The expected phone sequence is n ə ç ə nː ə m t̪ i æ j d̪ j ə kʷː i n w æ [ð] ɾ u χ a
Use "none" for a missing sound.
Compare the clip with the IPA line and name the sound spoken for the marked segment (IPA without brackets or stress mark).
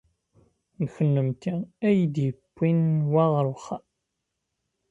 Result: ʁ